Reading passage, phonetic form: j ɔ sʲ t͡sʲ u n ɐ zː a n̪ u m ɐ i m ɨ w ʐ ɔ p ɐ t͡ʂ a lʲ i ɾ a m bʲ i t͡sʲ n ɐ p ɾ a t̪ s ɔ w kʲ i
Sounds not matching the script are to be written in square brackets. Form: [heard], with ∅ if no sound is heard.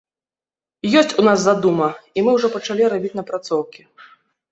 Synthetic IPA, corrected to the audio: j ɔ sʲ t͡sʲ u n [a] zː a [d̪] u m ɐ i m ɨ w ʐ ɔ p ɐ t͡ʂ a lʲ i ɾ a [∅] bʲ i t͡sʲ n ɐ p ɾ a t̪ s ɔ w kʲ i